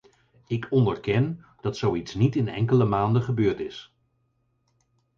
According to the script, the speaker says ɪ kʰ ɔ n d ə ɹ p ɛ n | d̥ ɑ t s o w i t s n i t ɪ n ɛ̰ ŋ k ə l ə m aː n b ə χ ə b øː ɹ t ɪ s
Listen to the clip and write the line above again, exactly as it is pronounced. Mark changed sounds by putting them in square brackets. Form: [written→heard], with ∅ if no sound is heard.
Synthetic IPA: ɪ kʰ ɔ n d ə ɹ [p→k] ɛ n | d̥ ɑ t s o w i t s n i t ɪ n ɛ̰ ŋ k ə l ə m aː n [b→d] ə χ ə b øː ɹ t ɪ s